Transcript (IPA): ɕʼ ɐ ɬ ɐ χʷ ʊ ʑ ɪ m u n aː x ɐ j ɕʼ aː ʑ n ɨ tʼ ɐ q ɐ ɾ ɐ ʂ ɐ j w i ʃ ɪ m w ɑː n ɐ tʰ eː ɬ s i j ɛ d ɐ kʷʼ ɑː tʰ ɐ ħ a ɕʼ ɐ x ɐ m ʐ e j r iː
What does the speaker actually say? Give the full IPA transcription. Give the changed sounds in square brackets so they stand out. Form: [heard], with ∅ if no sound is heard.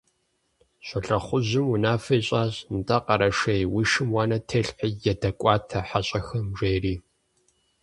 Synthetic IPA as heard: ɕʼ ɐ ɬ ɐ χʷ ʊ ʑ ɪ m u n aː [f] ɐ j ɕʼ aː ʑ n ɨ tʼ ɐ q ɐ ɾ ɐ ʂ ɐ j w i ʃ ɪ m w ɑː n ɐ tʰ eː ɬ [ħ] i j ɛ d ɐ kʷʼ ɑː tʰ ɐ ħ a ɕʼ ɐ x ɐ m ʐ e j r iː